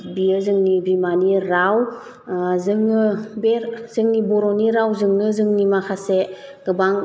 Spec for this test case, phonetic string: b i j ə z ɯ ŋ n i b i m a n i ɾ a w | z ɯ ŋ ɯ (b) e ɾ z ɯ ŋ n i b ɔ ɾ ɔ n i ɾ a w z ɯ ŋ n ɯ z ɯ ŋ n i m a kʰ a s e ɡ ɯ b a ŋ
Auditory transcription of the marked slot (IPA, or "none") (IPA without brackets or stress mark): b